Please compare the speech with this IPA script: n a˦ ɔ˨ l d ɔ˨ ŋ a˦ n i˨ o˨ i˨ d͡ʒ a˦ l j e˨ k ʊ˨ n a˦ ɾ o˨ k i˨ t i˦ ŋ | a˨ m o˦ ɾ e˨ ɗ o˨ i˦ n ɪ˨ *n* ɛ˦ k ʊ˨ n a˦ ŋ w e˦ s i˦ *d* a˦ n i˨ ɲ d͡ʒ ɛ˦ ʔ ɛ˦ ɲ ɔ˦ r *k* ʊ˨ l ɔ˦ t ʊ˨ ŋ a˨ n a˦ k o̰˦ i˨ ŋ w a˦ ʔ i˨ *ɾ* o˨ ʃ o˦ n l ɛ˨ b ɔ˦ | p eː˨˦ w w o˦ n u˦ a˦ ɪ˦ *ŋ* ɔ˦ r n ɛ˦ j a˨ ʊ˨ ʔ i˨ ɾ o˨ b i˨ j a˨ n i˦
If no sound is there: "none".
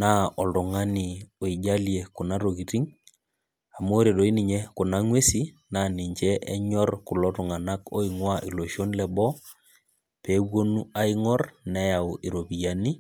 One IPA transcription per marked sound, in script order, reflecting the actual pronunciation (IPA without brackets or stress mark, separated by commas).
ɲ, n, k, l, ŋ